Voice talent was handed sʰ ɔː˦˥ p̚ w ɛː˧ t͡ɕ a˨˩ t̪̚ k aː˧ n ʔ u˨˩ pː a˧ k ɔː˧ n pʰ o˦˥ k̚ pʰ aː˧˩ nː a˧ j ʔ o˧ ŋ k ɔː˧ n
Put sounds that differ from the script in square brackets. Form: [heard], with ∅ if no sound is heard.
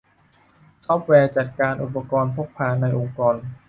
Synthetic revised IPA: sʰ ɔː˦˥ p̚ w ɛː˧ t͡ɕ a˨˩ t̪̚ k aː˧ n ʔ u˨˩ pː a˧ k ɔː˧ n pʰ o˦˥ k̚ pʰ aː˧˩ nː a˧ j ʔ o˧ ŋ k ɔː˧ n